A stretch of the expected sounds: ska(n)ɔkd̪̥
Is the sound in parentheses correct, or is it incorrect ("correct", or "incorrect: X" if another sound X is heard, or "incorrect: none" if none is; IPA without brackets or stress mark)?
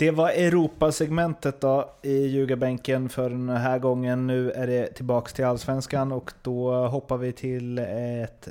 correct